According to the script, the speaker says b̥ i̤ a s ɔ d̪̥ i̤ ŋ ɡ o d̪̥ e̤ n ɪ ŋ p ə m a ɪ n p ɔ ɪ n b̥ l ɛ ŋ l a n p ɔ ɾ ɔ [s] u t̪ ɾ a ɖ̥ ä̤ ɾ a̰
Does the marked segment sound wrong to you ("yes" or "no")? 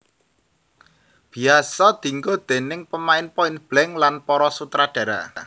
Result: no